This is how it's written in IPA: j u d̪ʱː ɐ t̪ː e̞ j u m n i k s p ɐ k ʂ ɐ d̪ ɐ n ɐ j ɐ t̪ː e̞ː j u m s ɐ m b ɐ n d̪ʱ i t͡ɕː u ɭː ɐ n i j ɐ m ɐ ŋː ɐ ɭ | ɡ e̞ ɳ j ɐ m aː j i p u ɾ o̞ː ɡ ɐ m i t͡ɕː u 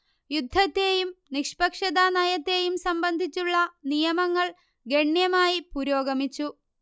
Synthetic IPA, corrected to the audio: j u d̪ʱː ɐ t̪ː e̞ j u m n i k ʂ p ɐ k ʂ ɐ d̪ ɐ n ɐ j ɐ t̪ː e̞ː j u m s ɐ m b ɐ n d̪ʱ i t͡ɕː u ɭː ɐ n i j ɐ m ɐ ŋː ɐ ɭ | ɡ e̞ ɳ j ɐ m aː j i p u ɾ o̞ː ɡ ɐ m i t͡ɕː u

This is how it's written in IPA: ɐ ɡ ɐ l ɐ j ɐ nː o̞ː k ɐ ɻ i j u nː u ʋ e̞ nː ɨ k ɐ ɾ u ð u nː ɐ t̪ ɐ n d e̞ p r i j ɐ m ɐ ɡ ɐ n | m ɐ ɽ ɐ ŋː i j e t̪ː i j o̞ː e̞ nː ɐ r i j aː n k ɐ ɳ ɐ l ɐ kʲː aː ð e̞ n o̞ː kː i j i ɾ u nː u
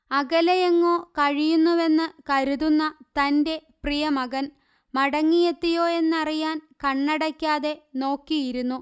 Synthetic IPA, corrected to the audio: ɐ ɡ ɐ l ɐ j ɐ ŋː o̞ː k ɐ ɻ i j u nː u ʋ e̞ nː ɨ k ɐ ɾ u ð u nː ɐ t̪ ɐ n d e̞ p r i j ɐ m ɐ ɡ ɐ n | m ɐ ɽ ɐ ŋː i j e t̪ː i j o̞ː e̞ nː ɐ r i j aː n k ɐ ɳː ɐ ɽ ɐ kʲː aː ð e̞ n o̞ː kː i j i ɾ u nː u

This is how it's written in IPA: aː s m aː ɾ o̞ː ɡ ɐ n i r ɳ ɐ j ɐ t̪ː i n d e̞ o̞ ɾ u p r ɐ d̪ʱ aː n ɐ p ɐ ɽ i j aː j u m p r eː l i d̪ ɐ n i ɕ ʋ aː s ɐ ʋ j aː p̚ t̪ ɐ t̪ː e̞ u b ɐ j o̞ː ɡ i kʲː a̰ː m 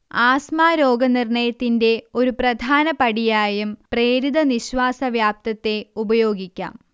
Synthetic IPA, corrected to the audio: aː s m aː ɾ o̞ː ɡ ɐ n i r ɳ ɐ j ɐ t̪ː i n d e̞ o̞ ɾ u p r ɐ d̪ʱ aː n ɐ p ɐ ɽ i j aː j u m p r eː ɾ i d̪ ɐ n i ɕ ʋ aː s ɐ ʋ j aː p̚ t̪ ɐ t̪ː e̞ u b ɐ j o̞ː ɡ i kʲː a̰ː m

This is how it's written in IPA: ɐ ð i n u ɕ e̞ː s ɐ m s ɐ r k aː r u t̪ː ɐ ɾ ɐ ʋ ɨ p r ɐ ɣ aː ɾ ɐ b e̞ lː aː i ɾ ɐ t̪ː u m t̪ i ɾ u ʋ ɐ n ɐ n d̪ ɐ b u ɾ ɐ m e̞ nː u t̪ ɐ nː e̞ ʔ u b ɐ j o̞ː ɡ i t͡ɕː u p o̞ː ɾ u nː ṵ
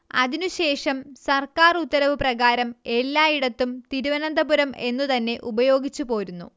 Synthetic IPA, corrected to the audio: ɐ ð i n u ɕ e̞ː ʂ ɐ m s ɐ r k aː r u t̪ː ɐ ɾ ɐ ʋ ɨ p r ɐ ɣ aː ɾ ɐ m e̞ lː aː i ɽ ɐ t̪ː u m t̪ i ɾ u ʋ ɐ n ɐ n d̪ ɐ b u ɾ ɐ m e̞ nː u t̪ ɐ nː e̞ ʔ u b ɐ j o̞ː ɡ i t͡ɕː u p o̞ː ɾ u nː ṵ

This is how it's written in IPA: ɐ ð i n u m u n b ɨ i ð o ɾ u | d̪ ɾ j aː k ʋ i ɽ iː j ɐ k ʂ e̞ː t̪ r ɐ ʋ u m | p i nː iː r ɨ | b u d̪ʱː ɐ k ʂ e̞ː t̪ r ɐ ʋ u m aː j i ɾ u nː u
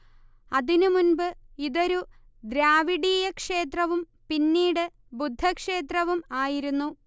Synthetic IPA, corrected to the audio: ɐ ð i n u m u n b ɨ i ð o ɾ u | d̪ ɾ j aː ʋ i ɽ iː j ɐ k ʂ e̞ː t̪ r ɐ ʋ u m | p i nː iː ɽ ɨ | b u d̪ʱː ɐ k ʂ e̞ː t̪ r ɐ ʋ u m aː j i ɾ u nː u

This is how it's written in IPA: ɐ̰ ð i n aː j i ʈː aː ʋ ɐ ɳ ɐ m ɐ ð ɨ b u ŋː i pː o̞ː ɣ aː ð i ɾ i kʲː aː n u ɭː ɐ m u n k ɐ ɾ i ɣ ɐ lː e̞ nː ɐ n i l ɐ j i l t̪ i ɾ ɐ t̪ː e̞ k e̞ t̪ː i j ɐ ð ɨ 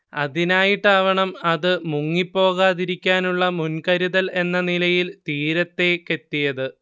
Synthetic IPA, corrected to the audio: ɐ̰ ð i n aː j i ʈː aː ʋ ɐ ɳ ɐ m ɐ ð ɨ m u ŋː i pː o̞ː ɣ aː ð i ɾ i kʲː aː n u ɭː ɐ m u n k ɐ ɾ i ð ɐ l e̞ nː ɐ n i l ɐ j i l t̪ iː ɾ ɐ t̪ː e̞ k e̞ t̪ː i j ɐ ð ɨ

